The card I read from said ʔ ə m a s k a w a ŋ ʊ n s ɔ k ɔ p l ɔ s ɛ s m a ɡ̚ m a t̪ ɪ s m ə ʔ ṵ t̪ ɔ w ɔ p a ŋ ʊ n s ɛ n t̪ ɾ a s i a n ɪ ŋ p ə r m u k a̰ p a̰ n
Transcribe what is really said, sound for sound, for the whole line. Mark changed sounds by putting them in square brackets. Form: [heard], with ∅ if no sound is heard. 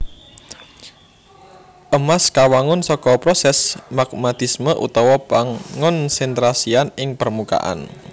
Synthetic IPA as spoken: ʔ ə m a s k a w a ŋ ʊ n s ɔ k ɔ p [ɾ] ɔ s ɛ s m a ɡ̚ m a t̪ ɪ s m ə ʔ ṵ t̪ ɔ w ɔ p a ŋ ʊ n s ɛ n t̪ ɾ a s i a n ɪ ŋ p ə r m u k a̰ [ʔ] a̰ n